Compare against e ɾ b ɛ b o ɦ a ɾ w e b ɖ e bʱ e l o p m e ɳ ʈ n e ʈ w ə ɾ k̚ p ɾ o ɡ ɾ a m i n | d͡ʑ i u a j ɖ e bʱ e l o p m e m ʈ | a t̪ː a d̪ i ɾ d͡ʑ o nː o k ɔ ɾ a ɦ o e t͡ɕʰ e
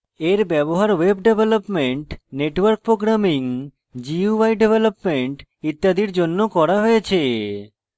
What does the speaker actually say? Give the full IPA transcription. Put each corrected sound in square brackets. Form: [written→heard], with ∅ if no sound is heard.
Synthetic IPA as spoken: e ɾ b ɛ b o ɦ a ɾ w e b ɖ e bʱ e l o p m e ɳ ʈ n e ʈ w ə ɾ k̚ p ɾ o ɡ ɾ a m i [n→ŋ] | d͡ʑ i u a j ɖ e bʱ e l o p m e [m→ɳ] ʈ | [a→i] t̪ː a d̪ i ɾ d͡ʑ o nː o k ɔ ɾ a ɦ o e t͡ɕʰ e